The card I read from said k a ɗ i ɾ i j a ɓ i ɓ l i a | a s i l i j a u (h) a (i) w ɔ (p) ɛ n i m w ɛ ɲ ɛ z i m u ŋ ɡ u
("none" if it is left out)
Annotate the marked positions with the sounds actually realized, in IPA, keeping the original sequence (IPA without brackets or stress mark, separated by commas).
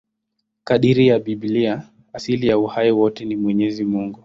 h, i, t